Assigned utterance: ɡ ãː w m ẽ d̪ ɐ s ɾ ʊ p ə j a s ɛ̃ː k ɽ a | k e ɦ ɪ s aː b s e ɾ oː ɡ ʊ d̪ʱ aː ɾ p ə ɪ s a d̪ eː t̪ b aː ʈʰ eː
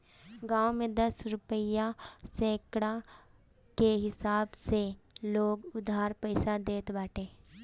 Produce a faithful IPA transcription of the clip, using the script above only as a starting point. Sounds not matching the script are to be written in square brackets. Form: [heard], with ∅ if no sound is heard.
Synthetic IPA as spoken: ɡ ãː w m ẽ d̪ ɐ s ɾ ʊ p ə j a s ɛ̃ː k ɽ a | k e ɦ ɪ s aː b s e [l] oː ɡ ʊ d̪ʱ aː ɾ p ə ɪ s a d̪ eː t̪ b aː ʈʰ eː